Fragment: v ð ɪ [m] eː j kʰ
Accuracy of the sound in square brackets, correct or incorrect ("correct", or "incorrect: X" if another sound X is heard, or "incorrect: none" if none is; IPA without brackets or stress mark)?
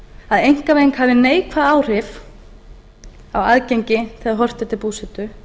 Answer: incorrect: n